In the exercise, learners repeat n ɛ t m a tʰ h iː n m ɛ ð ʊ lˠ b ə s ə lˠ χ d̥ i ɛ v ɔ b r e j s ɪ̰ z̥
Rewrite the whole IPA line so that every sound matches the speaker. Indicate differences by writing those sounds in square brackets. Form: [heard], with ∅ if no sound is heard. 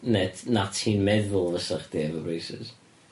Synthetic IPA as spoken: n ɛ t [n] a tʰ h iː n m ɛ ð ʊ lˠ [v] ə s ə [∅] χ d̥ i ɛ v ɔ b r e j s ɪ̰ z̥